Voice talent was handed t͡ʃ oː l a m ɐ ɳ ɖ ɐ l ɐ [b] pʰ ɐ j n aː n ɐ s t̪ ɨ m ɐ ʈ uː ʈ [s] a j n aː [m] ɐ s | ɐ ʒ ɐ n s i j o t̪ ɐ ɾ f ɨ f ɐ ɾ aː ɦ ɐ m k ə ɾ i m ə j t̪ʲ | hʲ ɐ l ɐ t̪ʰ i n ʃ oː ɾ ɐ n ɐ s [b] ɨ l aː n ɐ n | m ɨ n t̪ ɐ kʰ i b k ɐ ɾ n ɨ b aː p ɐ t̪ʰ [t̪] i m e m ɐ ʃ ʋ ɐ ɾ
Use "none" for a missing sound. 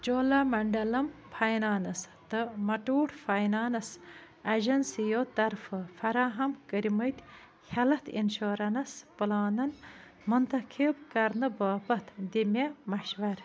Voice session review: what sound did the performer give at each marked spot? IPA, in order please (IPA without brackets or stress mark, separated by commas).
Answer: m, f, n, p, d̪